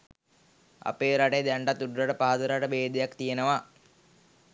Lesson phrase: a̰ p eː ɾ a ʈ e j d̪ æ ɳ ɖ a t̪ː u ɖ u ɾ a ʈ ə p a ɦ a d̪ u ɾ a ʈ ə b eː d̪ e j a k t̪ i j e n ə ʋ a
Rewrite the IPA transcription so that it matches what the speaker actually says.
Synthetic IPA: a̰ p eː ɾ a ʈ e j d̪ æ ɳ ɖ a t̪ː u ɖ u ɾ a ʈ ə p a ɦ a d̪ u ɾ a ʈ ə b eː d̪ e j a k t̪ i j e n ə ʋ a